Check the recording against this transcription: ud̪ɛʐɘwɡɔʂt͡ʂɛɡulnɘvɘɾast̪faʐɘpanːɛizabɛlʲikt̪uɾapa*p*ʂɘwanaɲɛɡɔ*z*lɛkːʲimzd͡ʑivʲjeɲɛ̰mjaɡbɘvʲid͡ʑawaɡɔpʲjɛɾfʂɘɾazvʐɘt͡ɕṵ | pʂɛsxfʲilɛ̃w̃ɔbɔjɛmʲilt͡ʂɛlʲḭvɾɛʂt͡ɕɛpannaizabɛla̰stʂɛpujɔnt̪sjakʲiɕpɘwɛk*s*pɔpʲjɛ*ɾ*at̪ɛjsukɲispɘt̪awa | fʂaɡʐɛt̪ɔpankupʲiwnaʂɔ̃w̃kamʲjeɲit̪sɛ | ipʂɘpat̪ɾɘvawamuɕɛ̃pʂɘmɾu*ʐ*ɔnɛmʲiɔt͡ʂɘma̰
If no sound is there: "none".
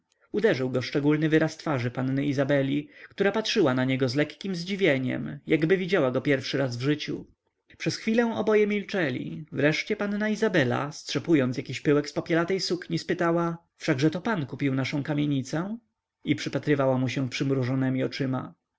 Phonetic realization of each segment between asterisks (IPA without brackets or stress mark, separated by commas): t, z, s, l, ʐ